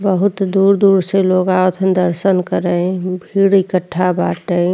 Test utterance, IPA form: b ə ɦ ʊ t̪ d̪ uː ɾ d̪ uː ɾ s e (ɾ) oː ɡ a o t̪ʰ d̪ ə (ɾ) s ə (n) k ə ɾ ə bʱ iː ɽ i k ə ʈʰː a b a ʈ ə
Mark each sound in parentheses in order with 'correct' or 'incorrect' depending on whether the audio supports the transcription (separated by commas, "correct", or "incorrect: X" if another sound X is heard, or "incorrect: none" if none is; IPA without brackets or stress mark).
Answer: incorrect: l, correct, correct